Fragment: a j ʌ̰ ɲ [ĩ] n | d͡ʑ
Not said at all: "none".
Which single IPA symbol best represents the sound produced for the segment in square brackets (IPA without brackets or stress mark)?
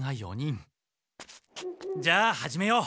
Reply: i